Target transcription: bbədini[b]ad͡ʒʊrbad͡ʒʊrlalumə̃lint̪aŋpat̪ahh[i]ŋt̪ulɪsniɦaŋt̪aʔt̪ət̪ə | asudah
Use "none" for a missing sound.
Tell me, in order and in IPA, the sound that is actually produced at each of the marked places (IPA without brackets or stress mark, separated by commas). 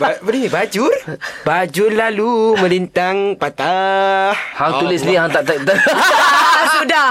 b, a